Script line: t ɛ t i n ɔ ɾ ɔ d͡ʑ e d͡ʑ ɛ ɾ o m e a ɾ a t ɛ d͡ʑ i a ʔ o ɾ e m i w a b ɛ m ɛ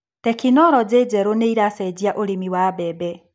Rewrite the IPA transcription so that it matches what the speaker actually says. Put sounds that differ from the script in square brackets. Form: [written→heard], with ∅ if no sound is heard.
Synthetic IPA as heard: t ɛ [t→k] i n ɔ ɾ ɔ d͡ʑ e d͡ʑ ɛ ɾ o [m→n] e [a→i] ɾ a [t→s] ɛ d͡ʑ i a ʔ o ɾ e m i w a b ɛ [m→b] ɛ